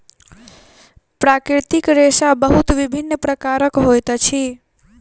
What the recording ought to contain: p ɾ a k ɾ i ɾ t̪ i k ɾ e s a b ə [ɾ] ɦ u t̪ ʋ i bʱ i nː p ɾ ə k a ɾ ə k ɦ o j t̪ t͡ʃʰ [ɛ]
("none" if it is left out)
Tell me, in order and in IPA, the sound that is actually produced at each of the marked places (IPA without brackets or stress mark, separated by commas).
none, i